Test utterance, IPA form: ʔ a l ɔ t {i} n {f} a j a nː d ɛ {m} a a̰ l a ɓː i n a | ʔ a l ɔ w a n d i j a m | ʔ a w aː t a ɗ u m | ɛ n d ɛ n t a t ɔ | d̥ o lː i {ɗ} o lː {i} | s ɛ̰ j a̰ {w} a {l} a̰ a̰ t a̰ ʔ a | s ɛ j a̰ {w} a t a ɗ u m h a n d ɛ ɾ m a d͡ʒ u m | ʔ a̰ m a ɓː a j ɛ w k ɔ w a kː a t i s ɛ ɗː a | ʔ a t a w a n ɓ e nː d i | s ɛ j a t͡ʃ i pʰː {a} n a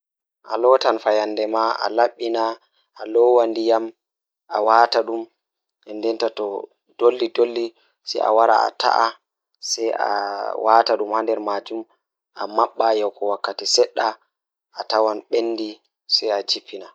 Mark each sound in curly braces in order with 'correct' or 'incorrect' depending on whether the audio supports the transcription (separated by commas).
incorrect, correct, correct, incorrect, correct, correct, incorrect, correct, incorrect